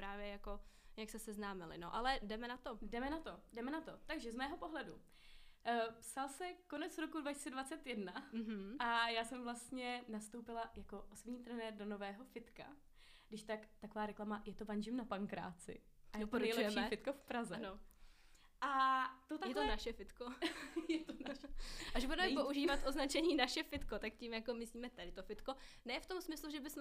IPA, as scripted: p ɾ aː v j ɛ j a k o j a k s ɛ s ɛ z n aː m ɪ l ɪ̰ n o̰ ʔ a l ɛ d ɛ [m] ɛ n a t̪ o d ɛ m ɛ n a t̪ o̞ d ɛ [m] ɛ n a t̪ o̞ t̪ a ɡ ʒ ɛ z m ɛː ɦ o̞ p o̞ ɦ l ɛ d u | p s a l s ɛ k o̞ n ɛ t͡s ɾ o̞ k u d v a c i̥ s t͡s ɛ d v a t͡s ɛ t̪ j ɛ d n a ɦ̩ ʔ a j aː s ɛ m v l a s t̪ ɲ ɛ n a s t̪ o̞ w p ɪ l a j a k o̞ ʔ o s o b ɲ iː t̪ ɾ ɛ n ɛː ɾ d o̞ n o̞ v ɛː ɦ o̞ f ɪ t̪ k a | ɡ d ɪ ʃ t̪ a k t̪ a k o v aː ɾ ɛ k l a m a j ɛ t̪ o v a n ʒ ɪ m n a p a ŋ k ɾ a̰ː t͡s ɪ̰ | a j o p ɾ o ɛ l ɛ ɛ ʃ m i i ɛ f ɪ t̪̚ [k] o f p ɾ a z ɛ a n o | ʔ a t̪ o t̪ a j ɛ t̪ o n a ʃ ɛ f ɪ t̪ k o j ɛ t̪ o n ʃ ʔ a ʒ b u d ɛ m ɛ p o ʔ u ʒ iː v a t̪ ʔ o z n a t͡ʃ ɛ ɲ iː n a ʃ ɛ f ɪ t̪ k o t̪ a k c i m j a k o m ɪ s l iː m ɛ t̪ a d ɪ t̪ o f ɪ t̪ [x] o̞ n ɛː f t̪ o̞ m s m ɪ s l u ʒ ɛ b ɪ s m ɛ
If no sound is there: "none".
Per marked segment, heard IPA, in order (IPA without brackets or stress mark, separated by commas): m, m, k, k